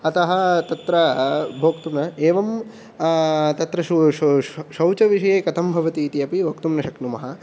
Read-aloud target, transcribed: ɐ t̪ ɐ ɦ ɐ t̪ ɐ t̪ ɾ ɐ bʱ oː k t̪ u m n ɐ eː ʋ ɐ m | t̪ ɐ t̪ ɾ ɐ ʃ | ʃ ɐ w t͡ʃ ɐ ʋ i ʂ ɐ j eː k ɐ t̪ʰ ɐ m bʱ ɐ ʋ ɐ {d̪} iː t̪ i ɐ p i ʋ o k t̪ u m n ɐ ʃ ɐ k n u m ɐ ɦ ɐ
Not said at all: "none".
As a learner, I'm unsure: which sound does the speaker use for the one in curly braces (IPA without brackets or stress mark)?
t̪